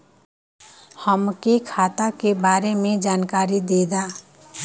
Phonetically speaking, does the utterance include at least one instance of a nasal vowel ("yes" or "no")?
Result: no